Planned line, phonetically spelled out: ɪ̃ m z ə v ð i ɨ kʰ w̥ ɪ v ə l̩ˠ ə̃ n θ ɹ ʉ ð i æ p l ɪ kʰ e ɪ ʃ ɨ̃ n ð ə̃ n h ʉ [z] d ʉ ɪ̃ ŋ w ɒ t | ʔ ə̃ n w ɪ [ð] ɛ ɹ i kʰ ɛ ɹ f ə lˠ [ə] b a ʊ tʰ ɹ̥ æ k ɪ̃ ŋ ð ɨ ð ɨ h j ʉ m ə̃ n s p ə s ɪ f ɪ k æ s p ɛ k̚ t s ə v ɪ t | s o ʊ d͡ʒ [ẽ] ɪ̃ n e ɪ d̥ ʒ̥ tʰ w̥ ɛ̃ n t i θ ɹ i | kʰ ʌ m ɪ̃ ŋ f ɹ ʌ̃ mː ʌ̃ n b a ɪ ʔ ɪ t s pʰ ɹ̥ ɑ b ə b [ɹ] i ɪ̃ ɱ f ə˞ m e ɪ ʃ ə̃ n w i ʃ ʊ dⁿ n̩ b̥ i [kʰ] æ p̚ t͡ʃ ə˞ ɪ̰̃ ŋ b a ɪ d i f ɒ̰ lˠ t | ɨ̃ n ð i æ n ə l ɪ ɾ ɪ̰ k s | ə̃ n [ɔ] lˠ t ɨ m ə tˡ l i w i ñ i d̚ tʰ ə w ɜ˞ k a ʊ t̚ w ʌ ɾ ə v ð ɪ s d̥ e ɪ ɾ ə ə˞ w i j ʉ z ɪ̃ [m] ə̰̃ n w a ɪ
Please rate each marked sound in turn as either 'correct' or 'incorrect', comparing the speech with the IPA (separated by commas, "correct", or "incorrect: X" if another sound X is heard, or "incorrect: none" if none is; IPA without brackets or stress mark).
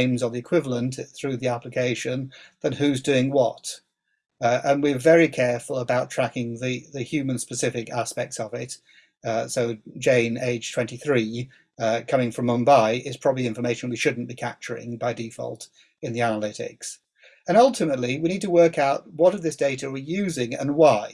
correct, incorrect: v, correct, correct, incorrect: l, correct, incorrect: ʌ, incorrect: ŋ